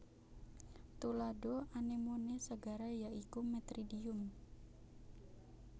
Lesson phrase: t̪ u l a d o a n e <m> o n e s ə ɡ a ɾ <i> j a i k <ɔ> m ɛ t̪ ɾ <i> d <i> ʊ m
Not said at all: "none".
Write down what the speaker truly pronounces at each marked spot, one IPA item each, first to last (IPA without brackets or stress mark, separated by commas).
m, a, u, i, i